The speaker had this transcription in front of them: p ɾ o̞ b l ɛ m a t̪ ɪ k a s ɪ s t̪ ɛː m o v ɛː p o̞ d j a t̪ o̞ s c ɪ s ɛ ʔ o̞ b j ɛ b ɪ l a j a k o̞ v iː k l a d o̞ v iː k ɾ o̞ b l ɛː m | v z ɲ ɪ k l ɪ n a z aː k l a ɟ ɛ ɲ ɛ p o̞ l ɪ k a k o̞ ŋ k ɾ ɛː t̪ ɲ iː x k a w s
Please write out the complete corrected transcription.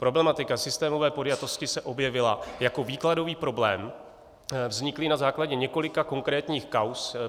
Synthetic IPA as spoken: p ɾ o̞ b l ɛ m a t̪ ɪ k a s ɪ s t̪ ɛː m o v ɛː p o̞ d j a t̪ o̞ s c ɪ s ɛ ʔ o̞ b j ɛ v ɪ l a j a k o̞ v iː k l a d o̞ v iː p ɾ o̞ b l ɛː m | v z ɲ ɪ k l ɪ n a z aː k l a ɟ ɛ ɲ ɛ k o̞ l ɪ k a k o̞ ŋ k ɾ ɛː t̪ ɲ iː x k a w s